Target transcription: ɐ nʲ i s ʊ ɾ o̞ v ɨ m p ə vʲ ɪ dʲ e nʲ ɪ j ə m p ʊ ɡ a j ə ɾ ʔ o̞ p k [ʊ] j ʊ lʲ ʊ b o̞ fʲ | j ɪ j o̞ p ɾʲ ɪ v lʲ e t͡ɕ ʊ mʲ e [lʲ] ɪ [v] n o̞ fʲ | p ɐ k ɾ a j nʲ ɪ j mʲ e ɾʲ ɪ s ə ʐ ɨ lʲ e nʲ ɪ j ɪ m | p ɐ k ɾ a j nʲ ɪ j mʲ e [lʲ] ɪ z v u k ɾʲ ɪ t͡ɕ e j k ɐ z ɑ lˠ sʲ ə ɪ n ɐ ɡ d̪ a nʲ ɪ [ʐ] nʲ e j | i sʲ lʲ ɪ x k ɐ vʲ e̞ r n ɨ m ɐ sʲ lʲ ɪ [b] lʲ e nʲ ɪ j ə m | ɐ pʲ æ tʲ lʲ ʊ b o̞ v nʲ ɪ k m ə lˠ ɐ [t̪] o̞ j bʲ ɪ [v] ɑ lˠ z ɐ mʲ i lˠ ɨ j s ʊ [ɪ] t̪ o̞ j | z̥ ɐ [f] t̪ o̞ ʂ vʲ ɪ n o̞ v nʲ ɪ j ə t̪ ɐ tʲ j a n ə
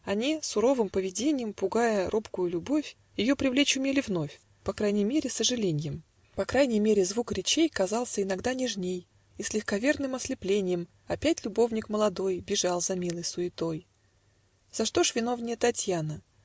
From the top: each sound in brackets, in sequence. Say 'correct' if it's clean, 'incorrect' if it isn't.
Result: correct, correct, correct, incorrect: ɾʲ, correct, incorrect: p, incorrect: d̪, incorrect: ʐ, correct, incorrect: ʂ

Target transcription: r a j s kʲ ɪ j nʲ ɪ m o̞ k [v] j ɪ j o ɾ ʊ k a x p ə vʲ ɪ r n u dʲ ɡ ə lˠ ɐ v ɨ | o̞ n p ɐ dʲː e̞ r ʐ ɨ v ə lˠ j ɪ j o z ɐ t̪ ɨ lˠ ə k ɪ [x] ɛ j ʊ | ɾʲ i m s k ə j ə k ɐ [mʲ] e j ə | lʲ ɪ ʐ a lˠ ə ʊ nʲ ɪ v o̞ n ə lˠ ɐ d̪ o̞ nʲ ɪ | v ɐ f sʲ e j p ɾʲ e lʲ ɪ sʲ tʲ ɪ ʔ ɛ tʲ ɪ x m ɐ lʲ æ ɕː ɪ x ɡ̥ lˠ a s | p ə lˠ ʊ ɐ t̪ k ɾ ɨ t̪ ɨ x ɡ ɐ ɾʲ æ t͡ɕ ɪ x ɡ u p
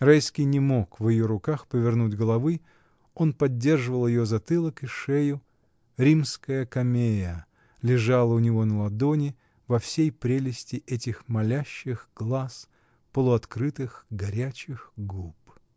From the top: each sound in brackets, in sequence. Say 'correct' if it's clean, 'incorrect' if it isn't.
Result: correct, incorrect: ʂ, correct

